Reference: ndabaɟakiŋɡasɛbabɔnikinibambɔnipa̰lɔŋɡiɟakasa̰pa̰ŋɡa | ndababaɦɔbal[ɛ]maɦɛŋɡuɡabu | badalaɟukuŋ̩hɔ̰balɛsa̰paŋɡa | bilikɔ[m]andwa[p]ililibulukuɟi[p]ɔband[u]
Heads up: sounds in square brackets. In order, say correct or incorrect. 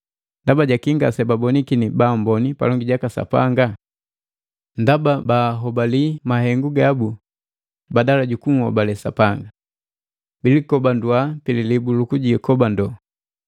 incorrect, incorrect, correct, incorrect, incorrect

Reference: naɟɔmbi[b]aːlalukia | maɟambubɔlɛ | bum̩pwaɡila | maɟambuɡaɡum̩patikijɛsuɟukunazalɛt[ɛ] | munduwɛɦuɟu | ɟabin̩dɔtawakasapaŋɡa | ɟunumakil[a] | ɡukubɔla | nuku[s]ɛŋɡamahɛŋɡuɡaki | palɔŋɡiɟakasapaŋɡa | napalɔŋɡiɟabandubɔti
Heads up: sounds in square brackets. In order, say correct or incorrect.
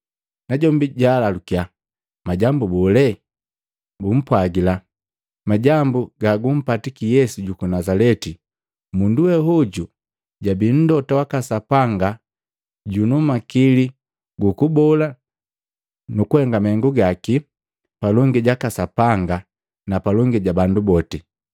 incorrect, incorrect, incorrect, incorrect

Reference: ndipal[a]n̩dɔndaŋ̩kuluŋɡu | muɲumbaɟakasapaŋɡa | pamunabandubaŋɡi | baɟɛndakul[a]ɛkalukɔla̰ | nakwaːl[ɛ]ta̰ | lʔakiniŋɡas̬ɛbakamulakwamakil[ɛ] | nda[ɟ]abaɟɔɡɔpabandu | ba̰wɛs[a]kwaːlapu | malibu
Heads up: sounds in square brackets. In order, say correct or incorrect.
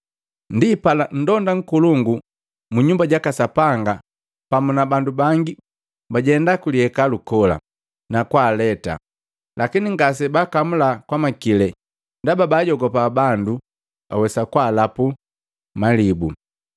correct, incorrect, correct, correct, incorrect, correct

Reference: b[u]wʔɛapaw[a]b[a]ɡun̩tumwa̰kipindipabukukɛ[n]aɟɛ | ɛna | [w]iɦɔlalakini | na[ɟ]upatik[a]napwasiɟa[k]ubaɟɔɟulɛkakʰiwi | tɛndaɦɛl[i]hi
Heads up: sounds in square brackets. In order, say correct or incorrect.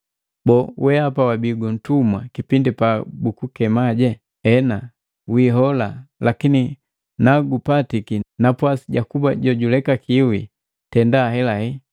incorrect, correct, incorrect, incorrect, correct, incorrect, incorrect, correct, incorrect

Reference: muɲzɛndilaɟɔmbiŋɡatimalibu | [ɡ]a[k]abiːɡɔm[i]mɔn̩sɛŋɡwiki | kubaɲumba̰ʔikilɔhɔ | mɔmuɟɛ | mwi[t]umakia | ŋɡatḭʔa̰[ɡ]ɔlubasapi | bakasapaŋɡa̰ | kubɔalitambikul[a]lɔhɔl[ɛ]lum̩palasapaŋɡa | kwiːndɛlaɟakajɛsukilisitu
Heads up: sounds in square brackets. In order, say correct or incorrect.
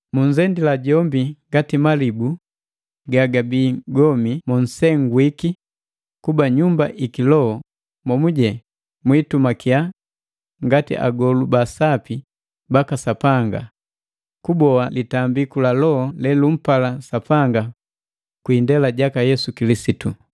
correct, incorrect, correct, correct, correct, correct, correct

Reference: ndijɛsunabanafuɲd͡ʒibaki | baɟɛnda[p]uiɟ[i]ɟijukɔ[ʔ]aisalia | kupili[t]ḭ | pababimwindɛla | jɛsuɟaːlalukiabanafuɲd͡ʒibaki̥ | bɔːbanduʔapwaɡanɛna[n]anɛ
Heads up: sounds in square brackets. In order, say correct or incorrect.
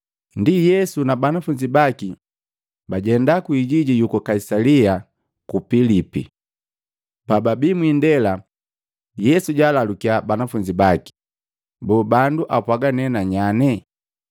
incorrect, correct, incorrect, incorrect, incorrect

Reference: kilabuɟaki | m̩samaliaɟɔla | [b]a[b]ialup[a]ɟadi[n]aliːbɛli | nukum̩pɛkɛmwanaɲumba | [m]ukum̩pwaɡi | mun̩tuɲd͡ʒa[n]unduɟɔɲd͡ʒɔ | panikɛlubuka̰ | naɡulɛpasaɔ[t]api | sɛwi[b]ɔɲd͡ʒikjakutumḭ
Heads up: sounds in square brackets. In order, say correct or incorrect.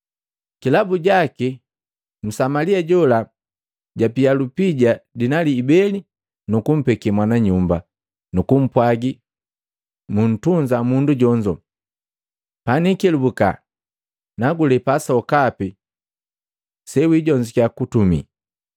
incorrect, incorrect, incorrect, correct, incorrect, incorrect, incorrect, incorrect

